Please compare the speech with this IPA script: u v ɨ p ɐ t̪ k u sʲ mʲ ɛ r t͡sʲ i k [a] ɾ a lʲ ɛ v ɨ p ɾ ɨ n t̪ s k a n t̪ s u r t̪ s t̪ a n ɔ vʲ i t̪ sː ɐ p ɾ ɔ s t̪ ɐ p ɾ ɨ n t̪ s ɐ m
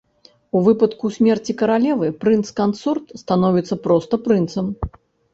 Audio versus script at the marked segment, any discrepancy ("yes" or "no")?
yes